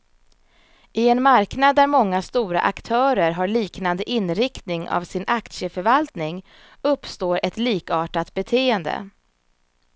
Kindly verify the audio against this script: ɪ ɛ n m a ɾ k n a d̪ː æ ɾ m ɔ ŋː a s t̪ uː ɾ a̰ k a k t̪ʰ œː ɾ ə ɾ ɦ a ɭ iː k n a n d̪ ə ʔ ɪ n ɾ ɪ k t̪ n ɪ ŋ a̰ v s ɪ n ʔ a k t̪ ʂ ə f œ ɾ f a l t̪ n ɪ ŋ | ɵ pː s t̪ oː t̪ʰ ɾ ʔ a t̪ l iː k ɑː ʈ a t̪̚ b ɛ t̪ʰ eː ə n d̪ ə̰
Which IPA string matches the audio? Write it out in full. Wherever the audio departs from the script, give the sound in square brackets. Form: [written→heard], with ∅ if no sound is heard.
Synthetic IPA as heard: ɪ ɛ n m a ɾ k n a d̪ː æ ɾ m ɔ ŋː a s t̪ uː ɾ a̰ [k→ʔ] a k t̪ʰ œː ɾ ə ɾ ɦ a ɭ iː k n a n d̪ ə ʔ ɪ n ɾ ɪ k t̪ n ɪ ŋ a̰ v s ɪ n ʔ a k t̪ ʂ ə f œ ɾ [f→v] a l t̪ n ɪ ŋ | ɵ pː s t̪ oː [t̪ʰ→∅] ɾ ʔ [a→ɛ] t̪ l iː k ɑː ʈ a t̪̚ b ɛ t̪ʰ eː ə n d̪ ə̰